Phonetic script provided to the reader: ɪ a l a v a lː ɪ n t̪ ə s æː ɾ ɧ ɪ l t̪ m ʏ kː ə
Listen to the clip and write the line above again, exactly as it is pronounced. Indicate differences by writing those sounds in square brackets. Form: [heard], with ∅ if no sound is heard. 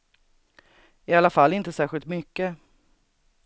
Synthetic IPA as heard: ɪ a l a [f] a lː ɪ n t̪ ə s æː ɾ ɧ ɪ l t̪ m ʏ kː ə